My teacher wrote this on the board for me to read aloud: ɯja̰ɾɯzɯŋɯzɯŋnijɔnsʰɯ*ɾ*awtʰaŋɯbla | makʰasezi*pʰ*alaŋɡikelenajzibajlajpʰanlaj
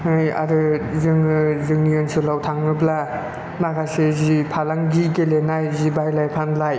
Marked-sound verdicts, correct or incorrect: incorrect: l, correct

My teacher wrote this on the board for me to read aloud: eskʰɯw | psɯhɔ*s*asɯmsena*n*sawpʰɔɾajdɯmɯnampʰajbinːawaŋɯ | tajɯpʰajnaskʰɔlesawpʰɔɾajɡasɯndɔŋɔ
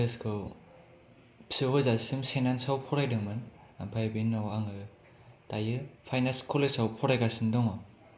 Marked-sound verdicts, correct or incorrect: incorrect: z, correct

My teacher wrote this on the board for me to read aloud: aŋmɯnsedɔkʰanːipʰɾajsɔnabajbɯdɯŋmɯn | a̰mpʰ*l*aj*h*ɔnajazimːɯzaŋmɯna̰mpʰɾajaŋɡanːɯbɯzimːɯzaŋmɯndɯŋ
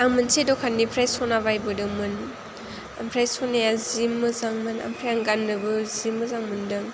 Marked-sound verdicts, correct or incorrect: incorrect: ɾ, incorrect: s

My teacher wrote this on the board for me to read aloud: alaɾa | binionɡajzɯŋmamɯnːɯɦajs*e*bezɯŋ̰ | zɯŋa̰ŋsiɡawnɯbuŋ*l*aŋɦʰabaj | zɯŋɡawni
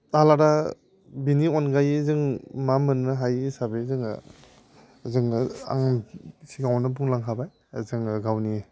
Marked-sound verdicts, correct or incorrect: incorrect: a, correct

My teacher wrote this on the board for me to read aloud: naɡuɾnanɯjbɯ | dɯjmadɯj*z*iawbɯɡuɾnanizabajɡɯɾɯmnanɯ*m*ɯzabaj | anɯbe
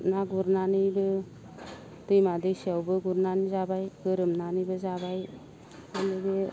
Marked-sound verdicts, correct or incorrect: incorrect: s, incorrect: b

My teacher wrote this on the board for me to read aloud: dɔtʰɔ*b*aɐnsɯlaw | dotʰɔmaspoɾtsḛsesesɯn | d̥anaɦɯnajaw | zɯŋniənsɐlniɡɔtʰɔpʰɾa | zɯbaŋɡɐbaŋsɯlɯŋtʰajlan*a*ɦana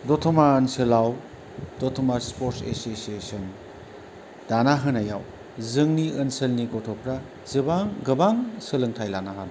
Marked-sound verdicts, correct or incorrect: incorrect: m, correct

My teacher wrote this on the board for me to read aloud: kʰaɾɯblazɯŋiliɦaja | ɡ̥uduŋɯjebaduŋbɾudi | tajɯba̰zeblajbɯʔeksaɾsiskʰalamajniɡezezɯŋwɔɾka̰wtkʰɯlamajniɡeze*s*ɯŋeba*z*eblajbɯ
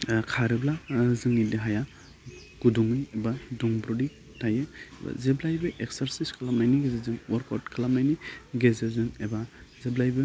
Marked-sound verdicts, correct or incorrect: incorrect: z, correct

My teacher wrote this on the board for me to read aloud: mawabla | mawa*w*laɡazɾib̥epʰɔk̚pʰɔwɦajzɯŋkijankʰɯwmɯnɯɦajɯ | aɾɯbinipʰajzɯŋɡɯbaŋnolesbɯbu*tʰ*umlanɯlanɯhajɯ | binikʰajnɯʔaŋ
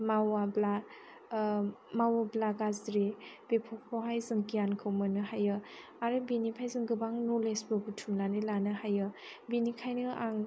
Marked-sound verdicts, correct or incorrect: incorrect: b, correct

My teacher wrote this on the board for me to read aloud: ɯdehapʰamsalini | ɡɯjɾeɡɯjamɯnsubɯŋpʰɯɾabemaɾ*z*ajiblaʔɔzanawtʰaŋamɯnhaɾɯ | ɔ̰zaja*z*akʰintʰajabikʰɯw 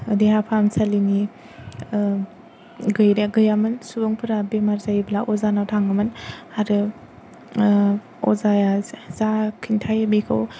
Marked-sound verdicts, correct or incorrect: correct, correct

